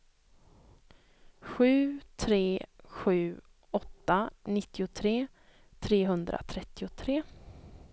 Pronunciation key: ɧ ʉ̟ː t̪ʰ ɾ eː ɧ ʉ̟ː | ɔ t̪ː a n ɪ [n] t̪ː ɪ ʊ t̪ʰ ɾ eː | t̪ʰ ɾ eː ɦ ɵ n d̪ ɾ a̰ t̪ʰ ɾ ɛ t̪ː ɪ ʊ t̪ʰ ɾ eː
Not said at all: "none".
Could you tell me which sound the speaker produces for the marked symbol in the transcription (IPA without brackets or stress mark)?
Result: none